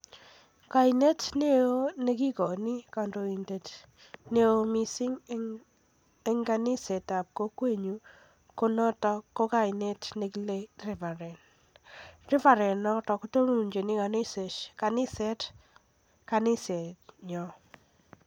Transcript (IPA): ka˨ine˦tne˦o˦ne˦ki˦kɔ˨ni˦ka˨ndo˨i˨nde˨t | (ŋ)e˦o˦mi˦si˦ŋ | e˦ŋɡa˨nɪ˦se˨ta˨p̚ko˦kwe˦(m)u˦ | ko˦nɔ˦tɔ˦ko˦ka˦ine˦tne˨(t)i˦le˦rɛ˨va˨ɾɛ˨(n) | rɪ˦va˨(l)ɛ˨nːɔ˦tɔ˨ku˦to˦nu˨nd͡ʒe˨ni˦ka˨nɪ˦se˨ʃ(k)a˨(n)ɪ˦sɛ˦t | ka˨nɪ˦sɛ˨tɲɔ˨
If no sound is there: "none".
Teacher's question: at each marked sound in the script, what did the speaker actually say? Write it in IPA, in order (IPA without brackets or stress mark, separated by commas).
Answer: n, ɲ, k, n, ɾ, k, n